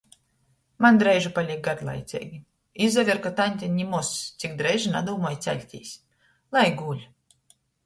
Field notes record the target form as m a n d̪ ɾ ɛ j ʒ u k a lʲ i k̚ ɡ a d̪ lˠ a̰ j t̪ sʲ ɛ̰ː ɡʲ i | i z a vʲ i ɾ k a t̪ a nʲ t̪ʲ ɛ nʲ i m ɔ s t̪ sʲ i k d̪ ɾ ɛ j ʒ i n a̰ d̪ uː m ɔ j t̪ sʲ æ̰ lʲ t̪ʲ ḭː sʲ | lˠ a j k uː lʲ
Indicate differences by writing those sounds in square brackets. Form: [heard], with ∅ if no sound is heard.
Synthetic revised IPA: m a n d̪ ɾ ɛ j ʒ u [p] a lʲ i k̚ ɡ a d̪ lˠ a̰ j t̪ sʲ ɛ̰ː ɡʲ i | i z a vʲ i ɾ k a t̪ a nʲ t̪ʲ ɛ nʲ i m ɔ s t̪ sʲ i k d̪ ɾ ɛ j ʒ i n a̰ d̪ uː m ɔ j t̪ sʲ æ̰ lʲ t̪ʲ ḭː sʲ | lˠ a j [ɡ] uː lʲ